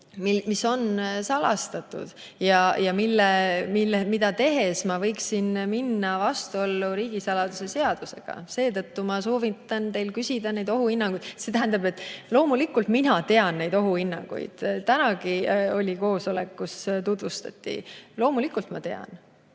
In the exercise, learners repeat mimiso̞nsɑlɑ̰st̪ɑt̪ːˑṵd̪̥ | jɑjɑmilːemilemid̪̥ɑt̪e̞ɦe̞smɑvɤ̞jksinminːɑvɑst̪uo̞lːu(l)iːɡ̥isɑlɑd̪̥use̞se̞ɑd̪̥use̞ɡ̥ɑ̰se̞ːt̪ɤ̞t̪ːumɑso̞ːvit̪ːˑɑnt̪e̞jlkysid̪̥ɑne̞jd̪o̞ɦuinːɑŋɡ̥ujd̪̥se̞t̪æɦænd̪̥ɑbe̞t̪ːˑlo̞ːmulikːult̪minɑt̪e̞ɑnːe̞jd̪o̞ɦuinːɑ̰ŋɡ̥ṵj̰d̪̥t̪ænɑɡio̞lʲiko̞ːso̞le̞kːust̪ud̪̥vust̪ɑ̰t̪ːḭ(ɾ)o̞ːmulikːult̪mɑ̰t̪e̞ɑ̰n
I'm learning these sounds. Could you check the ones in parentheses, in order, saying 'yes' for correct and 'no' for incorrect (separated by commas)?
no, no